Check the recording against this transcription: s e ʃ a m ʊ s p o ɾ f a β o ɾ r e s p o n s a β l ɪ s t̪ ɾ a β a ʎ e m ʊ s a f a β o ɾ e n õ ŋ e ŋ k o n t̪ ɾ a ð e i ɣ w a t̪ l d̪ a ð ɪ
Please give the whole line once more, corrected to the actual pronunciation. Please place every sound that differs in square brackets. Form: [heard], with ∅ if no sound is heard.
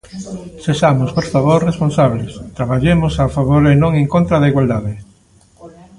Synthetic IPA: s e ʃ a m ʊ s p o ɾ f a β o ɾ r e s p o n s a β l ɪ s t̪ ɾ a β a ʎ e m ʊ s a f a β o ɾ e n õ ŋ e ŋ k o n t̪ ɾ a ð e i ɣ w a [∅] l d̪ a ð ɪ